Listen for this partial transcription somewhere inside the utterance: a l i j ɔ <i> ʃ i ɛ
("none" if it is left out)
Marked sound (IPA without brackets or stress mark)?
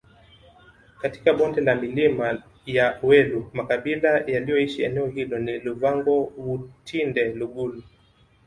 i